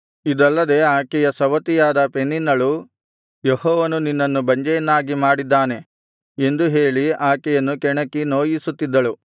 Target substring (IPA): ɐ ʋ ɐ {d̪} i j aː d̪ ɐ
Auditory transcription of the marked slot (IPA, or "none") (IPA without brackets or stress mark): t̪